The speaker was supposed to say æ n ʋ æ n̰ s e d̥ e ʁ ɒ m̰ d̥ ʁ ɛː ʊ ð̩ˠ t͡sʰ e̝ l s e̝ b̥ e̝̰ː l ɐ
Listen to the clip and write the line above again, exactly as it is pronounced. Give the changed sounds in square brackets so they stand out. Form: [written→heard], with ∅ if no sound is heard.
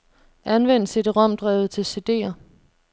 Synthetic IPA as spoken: æ n ʋ [æ→e] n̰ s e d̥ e ʁ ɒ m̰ d̥ ʁ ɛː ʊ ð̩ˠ t͡sʰ e̝ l s e̝ [b̥→d̥] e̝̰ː [l→∅] ɐ

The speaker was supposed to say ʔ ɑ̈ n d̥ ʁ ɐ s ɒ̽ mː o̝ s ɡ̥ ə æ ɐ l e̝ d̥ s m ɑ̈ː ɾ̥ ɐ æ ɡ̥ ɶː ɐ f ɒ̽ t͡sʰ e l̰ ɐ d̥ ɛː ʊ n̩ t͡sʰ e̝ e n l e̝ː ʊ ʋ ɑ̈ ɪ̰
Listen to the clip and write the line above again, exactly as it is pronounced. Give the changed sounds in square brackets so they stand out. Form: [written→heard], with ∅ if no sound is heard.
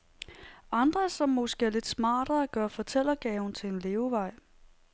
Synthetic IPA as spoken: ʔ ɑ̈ n d̥ ʁ ɐ s ɒ̽ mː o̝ s ɡ̥ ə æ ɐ l e̝ d̥ s m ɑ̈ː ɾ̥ ɐ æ ɡ̥ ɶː ɐ f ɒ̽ t͡sʰ e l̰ ɐ [d̥→ɡ̥] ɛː ʊ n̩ t͡sʰ e̝ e n l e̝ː ʊ ʋ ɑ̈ ɪ̰

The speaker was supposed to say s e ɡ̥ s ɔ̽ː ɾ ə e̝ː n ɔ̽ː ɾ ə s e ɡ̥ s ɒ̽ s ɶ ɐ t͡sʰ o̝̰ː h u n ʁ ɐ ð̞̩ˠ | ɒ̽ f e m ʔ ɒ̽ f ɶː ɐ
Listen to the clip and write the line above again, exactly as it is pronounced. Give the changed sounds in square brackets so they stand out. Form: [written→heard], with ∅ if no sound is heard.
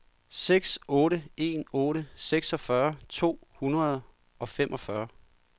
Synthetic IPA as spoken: s e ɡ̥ s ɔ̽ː ɾ ə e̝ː n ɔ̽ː ɾ ə s e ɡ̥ s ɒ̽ [s→f] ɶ ɐ t͡sʰ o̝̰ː h u n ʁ ɐ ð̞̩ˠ | ɒ̽ f e m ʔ ɒ̽ f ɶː ɐ

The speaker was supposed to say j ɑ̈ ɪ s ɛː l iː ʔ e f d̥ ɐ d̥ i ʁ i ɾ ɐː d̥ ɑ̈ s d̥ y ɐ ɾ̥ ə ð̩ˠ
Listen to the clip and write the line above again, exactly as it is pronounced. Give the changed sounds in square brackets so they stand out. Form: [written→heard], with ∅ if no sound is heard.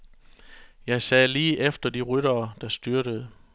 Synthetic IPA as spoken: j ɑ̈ ɪ s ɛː l iː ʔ e f d̥ ɐ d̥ i ʁ [i→y] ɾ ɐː d̥ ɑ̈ s d̥ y ɐ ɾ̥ ə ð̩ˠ

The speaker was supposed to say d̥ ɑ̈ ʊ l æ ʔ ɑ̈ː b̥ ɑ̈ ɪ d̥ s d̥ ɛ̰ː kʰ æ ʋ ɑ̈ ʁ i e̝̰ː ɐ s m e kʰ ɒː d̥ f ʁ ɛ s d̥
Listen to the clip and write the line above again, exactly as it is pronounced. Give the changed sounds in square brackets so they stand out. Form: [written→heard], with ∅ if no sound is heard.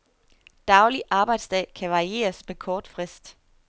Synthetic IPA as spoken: d̥ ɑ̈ ʊ l [æ→i] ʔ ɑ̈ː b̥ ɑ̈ ɪ d̥ s d̥ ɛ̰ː kʰ æ ʋ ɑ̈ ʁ i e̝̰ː ɐ s m e kʰ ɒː d̥ f ʁ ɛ s d̥

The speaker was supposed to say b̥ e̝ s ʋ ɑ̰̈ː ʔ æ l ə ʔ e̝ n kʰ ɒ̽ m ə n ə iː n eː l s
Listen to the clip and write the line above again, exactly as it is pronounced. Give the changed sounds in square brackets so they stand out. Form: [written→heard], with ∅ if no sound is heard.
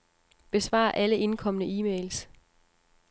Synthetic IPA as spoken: b̥ e̝ s ʋ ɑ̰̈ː ʔ æ l ə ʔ e̝ n kʰ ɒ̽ m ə n ə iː [n→m] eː l s

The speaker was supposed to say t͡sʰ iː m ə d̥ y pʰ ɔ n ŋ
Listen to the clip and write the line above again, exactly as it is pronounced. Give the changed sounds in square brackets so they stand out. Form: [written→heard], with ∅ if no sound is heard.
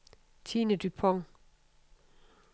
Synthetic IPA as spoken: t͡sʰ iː [m→n] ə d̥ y pʰ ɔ [n→∅] ŋ

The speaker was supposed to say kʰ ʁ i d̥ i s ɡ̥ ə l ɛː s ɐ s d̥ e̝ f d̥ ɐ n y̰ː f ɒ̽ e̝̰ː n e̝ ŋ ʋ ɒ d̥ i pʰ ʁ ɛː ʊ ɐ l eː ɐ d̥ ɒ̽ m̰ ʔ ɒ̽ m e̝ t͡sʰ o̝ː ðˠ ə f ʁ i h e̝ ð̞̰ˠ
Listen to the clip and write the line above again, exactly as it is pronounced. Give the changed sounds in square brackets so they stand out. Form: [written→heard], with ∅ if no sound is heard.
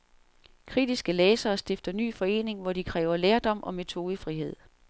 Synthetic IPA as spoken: kʰ ʁ i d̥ i s ɡ̥ ə l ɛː s [ɐ→ɐː] s d̥ e̝ f d̥ ɐ n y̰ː f ɒ̽ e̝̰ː n e̝ ŋ ʋ ɒ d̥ i [pʰ→kʰ] ʁ ɛː ʊ ɐ l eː ɐ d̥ ɒ̽ m̰ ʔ ɒ̽ m e̝ t͡sʰ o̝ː ðˠ ə f ʁ i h e̝ ð̞̰ˠ

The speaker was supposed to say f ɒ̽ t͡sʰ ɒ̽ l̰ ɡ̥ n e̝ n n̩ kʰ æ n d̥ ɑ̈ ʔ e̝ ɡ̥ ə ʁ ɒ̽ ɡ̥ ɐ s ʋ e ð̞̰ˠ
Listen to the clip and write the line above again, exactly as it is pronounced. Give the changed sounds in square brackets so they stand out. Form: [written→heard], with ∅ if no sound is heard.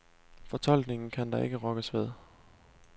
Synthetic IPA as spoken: f ɒ̽ t͡sʰ ɒ̽ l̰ ɡ̥ n e̝ [n→ŋ] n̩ kʰ æ n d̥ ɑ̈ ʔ e̝ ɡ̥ ə ʁ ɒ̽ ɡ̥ [ɐ→ə] s ʋ e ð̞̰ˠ

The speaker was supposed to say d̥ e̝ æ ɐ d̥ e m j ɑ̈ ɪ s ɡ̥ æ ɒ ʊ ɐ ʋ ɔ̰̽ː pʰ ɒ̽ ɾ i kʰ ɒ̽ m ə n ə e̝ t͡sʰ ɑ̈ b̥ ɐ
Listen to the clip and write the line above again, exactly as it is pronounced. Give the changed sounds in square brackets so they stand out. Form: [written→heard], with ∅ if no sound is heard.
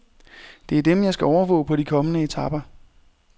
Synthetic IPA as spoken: d̥ e̝ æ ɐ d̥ e m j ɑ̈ ɪ s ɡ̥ æ ɒ ʊ ɐ ʋ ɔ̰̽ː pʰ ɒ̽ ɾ i kʰ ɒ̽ m ə n ə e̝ t͡sʰ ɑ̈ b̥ ɐ

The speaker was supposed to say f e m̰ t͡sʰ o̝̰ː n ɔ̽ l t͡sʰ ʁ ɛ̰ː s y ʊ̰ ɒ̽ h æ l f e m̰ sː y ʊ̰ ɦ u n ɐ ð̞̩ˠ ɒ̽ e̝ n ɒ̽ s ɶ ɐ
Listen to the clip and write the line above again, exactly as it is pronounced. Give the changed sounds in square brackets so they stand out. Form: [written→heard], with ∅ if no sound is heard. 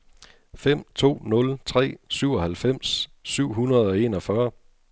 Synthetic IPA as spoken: f e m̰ t͡sʰ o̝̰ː n ɔ̽ l t͡sʰ ʁ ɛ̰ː s y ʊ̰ ɒ̽ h æ l f e m̰ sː y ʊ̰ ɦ u n ɐ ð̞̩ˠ ɒ̽ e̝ n ɒ̽ [s→f] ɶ ɐ

